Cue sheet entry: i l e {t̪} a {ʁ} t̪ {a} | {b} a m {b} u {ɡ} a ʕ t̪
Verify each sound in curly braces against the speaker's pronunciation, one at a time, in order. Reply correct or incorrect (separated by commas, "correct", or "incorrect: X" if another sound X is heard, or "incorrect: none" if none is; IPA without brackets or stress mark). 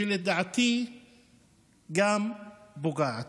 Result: incorrect: d̪, incorrect: ʕ, incorrect: i, incorrect: ɡ, correct, correct